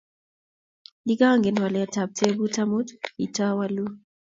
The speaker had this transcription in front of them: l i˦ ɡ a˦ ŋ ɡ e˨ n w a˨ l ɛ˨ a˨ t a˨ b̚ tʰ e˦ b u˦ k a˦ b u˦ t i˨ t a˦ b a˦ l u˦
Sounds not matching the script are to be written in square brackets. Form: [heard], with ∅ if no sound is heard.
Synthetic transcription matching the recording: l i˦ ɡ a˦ ŋ ɡ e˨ n w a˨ l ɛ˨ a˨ t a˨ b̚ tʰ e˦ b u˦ [t] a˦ [m] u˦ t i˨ t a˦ [w] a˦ l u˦